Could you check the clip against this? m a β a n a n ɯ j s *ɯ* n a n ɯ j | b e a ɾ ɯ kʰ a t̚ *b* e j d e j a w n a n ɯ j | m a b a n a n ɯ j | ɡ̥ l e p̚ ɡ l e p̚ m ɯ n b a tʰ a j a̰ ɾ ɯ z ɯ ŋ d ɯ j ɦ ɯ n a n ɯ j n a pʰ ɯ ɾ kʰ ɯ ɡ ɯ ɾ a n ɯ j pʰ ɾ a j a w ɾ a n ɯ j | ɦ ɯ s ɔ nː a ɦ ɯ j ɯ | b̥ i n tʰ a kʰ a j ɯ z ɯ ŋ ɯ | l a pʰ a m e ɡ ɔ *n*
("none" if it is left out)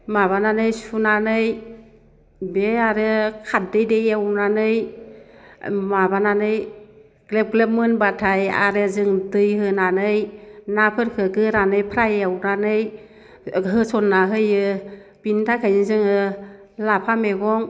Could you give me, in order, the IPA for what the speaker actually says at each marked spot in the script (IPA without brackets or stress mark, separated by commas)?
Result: u, d, ŋ